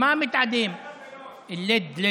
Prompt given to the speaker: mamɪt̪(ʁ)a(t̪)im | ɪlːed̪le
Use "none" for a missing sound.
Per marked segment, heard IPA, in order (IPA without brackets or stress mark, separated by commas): ʕ, d̪